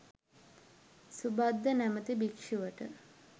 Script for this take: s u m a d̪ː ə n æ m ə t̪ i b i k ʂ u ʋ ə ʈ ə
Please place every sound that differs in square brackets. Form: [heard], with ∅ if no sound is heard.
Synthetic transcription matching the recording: s u [b] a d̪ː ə n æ m ə t̪ i b i k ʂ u ʋ ə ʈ ə

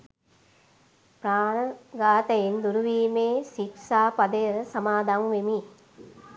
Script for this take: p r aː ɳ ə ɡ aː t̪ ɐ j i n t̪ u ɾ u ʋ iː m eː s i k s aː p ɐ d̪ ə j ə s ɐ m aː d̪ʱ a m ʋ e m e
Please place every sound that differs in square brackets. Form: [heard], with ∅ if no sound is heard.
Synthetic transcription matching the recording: p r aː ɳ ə ɡ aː t̪ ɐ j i n [d̪] u ɾ u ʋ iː m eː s i k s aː p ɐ d̪ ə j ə s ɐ m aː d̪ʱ a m ʋ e m [i]

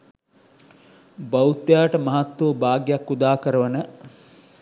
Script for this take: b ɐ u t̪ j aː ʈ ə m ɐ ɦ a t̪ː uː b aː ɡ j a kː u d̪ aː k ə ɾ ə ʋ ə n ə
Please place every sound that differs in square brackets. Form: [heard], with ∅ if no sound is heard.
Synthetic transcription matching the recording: b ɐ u t̪ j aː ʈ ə m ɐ ɦ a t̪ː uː b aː ɡ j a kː u d̪ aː k ə ɾ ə ʋ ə n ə

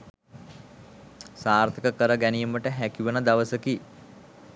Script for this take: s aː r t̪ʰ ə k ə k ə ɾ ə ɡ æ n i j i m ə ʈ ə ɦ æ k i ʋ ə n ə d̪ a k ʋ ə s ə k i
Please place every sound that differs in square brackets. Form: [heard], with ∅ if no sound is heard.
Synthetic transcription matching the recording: s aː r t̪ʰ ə k ə k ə ɾ ə ɡ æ n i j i m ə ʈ ə ɦ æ k i ʋ ə n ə d̪ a [∅] ʋ ə s ə k i

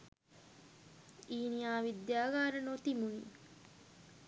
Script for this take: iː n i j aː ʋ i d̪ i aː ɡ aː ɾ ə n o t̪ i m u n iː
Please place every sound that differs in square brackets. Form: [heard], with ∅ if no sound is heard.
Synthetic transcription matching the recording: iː n i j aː ʋ i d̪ [j] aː ɡ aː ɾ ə n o t̪ i m u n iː

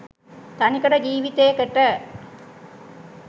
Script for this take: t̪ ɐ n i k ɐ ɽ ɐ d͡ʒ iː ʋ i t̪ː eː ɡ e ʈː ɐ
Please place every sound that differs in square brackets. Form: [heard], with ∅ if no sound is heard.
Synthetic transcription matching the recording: t̪ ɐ n i k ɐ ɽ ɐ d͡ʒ iː ʋ i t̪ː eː [k] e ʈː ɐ

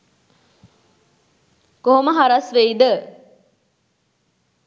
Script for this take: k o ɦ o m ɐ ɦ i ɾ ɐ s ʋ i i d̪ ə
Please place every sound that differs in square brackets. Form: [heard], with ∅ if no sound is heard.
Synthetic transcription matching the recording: k o ɦ o m [ə] ɦ [a] ɾ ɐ s ʋ [e] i d̪ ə

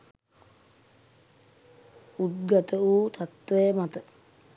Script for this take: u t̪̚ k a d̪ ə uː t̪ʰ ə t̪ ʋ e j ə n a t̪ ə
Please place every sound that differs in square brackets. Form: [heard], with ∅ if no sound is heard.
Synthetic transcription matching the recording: u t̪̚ [ɡ] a [t̪] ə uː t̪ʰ [a] t̪ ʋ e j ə [m] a t̪ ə

